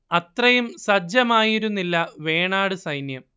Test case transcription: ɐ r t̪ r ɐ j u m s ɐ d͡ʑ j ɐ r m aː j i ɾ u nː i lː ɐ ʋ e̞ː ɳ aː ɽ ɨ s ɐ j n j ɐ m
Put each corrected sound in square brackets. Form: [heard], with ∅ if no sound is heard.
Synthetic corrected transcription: ɐ [∅] t̪ r ɐ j u m s ɐ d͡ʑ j ɐ [∅] m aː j i ɾ u nː i lː ɐ ʋ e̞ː ɳ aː ɽ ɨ s ɐ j n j ɐ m